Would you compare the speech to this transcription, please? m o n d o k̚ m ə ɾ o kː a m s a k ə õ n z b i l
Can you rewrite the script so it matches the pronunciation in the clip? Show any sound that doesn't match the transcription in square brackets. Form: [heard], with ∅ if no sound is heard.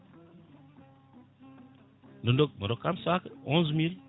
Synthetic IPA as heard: [n] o n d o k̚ m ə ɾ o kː a m s a k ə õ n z [m] i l